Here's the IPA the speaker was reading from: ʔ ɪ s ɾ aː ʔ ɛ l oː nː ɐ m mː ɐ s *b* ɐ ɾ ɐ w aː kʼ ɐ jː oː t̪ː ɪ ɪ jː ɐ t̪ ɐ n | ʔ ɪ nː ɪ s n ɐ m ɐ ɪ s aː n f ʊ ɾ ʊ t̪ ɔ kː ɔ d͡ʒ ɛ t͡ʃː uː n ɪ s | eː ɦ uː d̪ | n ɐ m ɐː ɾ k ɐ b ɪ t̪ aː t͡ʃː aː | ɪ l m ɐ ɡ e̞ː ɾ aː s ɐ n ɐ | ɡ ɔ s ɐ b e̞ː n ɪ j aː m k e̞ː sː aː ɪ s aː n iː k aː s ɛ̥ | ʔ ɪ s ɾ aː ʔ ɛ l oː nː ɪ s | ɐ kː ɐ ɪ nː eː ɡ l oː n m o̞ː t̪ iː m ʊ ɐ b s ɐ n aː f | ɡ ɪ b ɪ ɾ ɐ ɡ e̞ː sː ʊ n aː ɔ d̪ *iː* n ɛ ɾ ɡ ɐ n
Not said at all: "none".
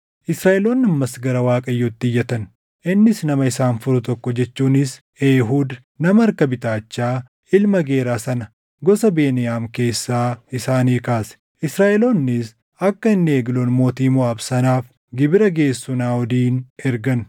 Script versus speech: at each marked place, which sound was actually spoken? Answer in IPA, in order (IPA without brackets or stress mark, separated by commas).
ɡ, iː